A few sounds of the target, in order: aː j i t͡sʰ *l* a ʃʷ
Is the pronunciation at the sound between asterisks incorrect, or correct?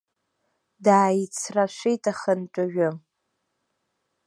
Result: incorrect